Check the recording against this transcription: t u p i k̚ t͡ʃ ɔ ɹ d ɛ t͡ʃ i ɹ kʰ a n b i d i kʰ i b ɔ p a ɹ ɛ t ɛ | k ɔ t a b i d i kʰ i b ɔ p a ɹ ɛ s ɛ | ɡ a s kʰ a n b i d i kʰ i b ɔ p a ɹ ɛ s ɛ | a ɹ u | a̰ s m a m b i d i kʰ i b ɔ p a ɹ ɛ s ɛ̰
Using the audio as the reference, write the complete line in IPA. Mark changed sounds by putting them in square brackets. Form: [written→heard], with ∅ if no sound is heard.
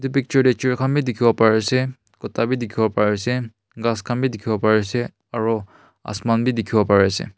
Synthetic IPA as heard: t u p i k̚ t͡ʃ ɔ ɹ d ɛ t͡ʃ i ɹ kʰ a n b i d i kʰ i b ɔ p a ɹ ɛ [t→s] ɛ | k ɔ t a b i d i kʰ i b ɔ p a ɹ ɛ s ɛ | ɡ a s kʰ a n b i d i kʰ i b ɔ p a ɹ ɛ s ɛ | a ɹ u | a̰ s m a [m→n] b i d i kʰ i b ɔ p a ɹ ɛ s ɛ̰